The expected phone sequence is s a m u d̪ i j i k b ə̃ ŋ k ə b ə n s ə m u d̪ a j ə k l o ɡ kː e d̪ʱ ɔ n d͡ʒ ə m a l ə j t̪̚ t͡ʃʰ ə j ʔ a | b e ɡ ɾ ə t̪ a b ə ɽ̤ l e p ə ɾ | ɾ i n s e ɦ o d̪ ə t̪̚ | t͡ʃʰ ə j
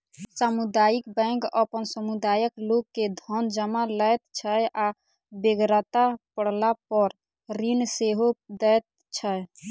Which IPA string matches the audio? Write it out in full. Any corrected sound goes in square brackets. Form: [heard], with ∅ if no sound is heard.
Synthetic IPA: s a m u d̪ [a] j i k b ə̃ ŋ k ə [p] ə n s ə m u d̪ a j ə k l o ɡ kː e d̪ʱ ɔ n d͡ʒ ə m a l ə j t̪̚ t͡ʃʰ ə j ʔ a | b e ɡ ɾ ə t̪ a [p] ə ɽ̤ l [a] p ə ɾ | ɾ i n s e ɦ o d̪ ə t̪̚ | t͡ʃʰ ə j